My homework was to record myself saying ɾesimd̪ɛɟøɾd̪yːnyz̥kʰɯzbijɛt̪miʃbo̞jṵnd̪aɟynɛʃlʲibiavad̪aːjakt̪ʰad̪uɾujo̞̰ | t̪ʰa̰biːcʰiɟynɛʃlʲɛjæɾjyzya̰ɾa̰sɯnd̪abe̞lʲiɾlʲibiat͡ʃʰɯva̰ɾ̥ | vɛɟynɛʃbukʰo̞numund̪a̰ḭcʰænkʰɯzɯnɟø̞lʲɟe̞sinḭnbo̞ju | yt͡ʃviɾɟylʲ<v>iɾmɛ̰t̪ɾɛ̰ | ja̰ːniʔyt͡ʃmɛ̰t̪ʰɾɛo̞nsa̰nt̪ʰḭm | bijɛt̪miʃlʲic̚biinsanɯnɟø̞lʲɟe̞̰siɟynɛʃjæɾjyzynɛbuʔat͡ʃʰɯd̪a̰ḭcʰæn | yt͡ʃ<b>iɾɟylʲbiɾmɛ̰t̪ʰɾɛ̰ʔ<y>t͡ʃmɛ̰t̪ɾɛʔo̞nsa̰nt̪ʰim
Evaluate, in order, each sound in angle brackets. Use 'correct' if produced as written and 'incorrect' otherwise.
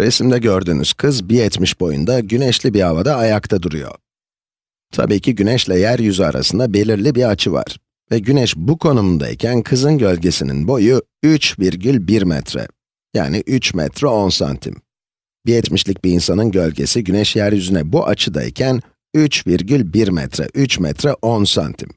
incorrect: b, incorrect: v, correct

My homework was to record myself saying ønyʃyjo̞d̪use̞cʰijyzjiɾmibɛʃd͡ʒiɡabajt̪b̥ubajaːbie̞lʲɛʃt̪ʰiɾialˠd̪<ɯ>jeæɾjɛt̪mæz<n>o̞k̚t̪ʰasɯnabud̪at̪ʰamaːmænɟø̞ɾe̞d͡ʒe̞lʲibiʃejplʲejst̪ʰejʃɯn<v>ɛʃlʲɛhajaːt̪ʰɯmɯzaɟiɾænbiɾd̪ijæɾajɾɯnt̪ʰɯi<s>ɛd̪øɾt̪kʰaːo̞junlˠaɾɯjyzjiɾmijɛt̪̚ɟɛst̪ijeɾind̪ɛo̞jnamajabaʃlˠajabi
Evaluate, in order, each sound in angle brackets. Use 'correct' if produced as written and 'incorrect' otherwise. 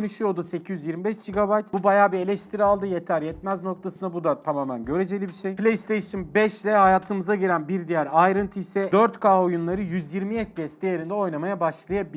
correct, correct, incorrect: b, correct

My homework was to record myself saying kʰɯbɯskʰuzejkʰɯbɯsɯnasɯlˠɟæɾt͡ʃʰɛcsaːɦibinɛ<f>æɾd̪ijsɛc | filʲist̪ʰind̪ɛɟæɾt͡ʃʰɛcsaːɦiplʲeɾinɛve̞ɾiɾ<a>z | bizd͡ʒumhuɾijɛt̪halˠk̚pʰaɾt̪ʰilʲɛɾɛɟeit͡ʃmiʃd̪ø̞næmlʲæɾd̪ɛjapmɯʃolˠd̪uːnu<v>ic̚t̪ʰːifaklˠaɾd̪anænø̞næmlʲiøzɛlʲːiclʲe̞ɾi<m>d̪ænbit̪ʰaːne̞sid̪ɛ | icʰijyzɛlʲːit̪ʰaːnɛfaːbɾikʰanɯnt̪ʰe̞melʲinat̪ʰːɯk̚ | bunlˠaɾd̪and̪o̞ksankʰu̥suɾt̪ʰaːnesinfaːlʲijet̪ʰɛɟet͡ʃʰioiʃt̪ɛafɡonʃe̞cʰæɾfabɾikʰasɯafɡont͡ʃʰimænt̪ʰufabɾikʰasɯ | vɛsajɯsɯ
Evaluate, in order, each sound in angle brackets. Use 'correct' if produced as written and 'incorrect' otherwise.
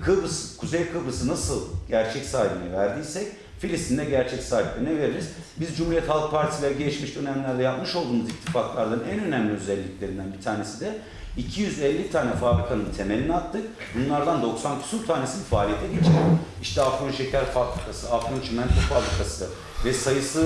incorrect: v, incorrect: i, incorrect: z, incorrect: n

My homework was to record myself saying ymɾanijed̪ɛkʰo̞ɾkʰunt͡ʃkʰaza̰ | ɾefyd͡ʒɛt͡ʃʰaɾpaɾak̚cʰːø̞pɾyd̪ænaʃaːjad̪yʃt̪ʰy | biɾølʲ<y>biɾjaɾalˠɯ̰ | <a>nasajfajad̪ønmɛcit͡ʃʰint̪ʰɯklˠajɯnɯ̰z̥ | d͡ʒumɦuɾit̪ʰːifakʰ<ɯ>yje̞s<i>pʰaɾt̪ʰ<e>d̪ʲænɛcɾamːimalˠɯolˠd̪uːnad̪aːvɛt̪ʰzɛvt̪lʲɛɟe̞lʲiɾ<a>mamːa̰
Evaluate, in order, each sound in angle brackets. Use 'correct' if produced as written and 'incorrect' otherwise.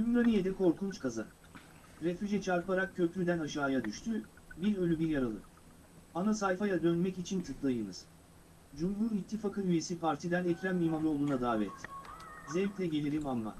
correct, correct, correct, correct, incorrect: i, incorrect: i

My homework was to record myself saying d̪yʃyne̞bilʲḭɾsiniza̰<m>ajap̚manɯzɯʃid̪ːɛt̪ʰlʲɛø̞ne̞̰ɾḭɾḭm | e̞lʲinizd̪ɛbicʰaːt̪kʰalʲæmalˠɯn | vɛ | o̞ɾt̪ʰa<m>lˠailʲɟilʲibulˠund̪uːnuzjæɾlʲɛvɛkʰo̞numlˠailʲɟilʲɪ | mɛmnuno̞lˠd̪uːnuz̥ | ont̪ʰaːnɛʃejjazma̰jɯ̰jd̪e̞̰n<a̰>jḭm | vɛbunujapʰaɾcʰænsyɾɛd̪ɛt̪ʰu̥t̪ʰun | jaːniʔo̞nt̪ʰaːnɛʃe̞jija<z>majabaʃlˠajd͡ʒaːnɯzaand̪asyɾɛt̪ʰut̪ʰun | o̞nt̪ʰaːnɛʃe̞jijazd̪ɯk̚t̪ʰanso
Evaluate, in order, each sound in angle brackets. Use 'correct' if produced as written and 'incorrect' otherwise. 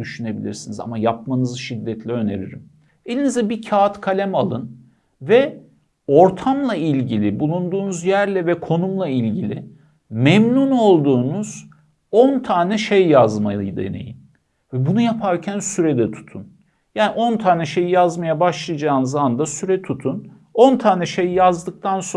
correct, correct, incorrect: ḛ, correct

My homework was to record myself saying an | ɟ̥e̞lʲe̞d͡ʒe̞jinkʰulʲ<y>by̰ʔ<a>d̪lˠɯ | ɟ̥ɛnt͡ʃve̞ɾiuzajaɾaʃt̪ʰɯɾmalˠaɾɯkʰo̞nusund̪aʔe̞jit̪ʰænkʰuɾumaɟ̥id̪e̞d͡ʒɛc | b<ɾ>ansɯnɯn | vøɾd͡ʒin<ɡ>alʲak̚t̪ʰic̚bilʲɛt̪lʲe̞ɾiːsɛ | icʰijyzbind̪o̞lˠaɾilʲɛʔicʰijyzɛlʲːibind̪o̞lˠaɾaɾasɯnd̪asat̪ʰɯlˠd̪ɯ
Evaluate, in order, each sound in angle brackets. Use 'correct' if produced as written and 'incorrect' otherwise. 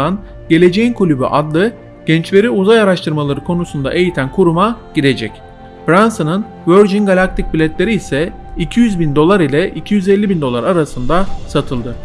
correct, correct, correct, correct

